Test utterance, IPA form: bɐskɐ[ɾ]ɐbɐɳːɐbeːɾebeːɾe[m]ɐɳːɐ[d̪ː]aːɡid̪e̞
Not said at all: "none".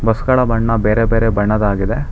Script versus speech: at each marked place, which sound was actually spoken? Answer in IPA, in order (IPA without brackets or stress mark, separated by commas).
ɭ, b, d̪